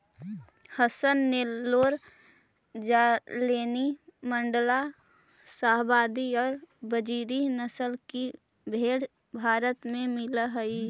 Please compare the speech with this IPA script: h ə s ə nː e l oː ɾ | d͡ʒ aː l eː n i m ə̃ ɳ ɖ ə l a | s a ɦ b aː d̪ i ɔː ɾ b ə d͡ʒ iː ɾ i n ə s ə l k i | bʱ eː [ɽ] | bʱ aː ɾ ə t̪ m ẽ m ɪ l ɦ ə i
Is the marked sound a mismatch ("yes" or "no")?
no